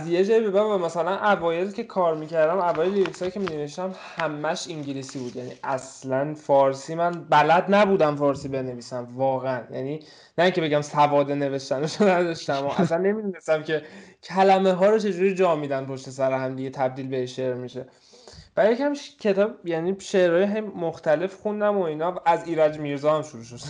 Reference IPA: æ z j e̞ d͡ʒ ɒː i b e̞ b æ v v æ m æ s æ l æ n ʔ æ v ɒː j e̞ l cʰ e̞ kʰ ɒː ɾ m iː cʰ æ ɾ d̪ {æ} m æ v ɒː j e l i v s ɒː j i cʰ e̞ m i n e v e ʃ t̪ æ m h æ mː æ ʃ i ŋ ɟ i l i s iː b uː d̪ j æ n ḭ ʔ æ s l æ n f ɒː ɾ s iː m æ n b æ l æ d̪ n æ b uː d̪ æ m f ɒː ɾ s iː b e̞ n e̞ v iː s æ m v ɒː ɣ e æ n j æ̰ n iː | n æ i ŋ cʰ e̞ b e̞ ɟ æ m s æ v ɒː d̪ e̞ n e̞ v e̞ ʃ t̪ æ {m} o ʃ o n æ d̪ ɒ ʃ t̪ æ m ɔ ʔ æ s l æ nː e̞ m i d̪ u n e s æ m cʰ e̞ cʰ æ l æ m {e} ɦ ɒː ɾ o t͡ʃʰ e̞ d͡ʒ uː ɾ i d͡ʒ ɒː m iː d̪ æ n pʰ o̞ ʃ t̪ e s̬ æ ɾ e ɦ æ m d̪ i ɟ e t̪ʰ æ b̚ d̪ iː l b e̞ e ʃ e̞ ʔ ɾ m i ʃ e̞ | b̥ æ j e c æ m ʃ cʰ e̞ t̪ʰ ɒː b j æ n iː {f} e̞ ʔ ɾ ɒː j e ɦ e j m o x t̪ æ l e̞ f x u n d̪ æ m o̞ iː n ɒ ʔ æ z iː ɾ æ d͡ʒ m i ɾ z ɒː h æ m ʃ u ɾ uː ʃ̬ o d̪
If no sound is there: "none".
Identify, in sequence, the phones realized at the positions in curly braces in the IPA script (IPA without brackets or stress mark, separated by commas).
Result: æ, n, e, ʃ